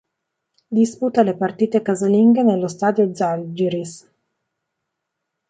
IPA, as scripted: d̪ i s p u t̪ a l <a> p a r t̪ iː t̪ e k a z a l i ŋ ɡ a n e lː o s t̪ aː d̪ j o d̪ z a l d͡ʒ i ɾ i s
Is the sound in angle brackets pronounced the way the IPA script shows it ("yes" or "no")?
no